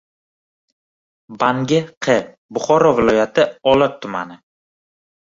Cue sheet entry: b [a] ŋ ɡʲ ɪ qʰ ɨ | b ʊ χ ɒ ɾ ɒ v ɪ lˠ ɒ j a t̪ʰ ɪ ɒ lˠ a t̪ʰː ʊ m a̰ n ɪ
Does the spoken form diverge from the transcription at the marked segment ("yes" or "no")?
no